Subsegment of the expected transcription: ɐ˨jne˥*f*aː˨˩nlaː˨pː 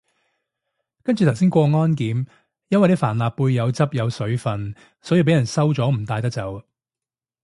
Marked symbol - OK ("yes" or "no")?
yes